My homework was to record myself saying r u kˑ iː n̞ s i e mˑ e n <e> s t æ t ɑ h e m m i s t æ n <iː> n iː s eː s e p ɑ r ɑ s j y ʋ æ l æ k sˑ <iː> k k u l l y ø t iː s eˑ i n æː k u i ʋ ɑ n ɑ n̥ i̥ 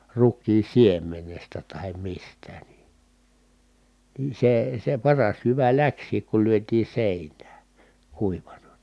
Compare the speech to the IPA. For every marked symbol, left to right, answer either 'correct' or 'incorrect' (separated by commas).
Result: correct, incorrect, correct